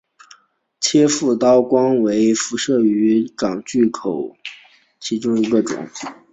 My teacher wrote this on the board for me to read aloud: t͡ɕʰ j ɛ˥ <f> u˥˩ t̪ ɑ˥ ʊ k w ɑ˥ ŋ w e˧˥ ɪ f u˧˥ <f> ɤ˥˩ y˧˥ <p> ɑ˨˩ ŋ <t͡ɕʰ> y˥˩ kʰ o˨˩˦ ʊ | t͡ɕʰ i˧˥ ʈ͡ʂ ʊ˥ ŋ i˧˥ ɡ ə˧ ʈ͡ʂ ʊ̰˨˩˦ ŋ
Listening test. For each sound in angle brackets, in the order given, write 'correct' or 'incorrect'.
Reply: correct, incorrect: ʂ, incorrect: k, incorrect: t͡ɕ

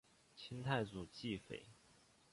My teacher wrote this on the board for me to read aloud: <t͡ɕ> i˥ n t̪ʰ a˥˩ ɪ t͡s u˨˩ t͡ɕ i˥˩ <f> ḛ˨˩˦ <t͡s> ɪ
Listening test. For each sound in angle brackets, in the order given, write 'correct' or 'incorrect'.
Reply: incorrect: t͡ɕʰ, correct, incorrect: none

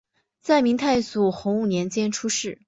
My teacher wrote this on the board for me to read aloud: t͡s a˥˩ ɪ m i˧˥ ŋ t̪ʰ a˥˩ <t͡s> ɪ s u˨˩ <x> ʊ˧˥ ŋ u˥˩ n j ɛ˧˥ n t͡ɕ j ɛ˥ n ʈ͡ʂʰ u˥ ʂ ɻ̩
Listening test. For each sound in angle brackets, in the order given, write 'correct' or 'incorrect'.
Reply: incorrect: none, correct

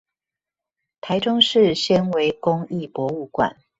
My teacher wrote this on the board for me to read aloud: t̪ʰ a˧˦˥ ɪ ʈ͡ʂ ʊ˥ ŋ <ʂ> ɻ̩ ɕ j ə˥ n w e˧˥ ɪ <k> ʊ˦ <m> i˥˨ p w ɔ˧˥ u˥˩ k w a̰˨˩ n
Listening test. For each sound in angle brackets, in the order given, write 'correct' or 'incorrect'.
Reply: correct, correct, incorrect: ŋ

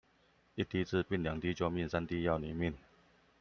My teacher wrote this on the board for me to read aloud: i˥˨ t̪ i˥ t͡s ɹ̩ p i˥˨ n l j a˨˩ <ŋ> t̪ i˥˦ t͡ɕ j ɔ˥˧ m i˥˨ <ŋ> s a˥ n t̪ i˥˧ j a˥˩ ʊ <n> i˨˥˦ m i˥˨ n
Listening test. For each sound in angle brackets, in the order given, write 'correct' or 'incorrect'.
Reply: correct, incorrect: n, correct

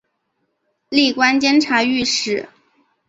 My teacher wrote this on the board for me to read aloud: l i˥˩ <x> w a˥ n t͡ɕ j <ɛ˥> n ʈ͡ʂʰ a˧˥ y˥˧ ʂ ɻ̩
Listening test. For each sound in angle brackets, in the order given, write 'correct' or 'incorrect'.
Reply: incorrect: k, correct

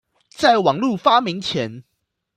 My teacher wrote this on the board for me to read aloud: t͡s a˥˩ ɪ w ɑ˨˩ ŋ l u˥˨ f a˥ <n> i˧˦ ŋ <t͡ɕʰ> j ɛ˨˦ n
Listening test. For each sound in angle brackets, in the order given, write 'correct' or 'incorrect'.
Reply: incorrect: m, correct

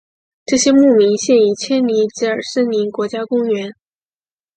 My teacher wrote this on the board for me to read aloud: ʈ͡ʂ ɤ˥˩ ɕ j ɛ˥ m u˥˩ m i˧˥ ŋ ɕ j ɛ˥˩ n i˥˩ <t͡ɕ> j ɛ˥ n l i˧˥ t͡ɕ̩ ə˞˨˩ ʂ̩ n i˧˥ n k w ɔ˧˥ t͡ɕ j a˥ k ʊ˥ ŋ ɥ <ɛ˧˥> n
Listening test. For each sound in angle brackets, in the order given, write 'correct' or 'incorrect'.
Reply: incorrect: t͡ɕʰ, correct

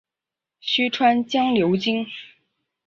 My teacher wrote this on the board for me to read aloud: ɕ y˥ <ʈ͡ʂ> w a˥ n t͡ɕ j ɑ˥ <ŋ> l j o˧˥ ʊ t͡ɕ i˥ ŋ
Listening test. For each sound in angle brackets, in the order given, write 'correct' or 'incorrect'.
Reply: incorrect: ʈ͡ʂʰ, correct

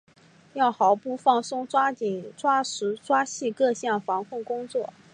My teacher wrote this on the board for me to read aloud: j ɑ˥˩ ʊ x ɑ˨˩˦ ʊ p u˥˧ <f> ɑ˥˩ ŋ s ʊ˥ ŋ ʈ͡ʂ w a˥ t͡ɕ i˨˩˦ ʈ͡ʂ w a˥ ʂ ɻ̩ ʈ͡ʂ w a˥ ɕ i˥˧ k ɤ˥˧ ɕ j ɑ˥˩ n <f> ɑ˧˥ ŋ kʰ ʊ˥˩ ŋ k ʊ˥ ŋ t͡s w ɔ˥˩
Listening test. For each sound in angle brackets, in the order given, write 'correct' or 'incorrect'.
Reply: correct, correct

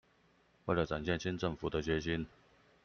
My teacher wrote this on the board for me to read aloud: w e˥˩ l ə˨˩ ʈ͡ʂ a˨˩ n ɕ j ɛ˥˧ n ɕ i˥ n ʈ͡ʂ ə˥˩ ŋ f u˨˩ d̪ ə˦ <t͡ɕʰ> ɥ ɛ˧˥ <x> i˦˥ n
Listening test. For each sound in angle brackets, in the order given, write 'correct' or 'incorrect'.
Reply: incorrect: t͡ɕ, incorrect: ɕ

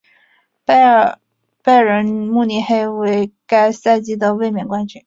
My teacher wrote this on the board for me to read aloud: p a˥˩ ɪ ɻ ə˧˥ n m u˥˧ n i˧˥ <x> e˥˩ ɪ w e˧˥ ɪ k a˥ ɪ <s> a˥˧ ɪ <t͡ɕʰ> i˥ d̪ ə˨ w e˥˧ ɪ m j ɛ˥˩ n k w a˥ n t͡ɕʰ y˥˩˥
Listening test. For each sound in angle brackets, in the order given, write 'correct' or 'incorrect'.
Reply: correct, correct, incorrect: t͡ɕ

